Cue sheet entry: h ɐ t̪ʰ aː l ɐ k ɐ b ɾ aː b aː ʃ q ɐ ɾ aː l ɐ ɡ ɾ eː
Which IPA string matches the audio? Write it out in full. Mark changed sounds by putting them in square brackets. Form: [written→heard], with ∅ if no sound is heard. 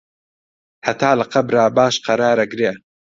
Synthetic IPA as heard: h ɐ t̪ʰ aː l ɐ [k→q] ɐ b ɾ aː b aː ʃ q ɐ ɾ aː [l→ɾ] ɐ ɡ ɾ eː